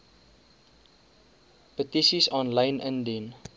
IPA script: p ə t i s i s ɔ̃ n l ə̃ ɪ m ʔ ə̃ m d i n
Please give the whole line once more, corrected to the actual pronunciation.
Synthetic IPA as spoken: p ə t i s i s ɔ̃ n l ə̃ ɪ n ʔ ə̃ n d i n